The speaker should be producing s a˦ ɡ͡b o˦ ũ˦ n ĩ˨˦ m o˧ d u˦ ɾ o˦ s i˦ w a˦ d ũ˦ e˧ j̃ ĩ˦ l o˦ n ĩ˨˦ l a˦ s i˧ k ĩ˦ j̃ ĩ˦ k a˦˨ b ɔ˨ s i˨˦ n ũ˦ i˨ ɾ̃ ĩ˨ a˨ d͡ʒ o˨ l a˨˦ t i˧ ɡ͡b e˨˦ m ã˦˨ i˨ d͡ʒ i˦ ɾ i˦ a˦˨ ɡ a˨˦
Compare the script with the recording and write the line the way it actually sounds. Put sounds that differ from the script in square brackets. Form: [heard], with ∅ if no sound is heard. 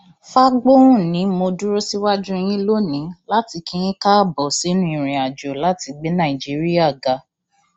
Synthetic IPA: [f] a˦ ɡ͡b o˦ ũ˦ n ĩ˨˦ m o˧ d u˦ ɾ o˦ s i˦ w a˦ [d͡ʒ] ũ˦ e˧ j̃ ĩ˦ l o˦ n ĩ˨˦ l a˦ [t] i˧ k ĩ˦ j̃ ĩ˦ k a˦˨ b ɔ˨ s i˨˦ n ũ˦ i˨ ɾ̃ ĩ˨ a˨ d͡ʒ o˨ l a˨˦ t i˧ ɡ͡b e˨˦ [n] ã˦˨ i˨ d͡ʒ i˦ ɾ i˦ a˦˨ ɡ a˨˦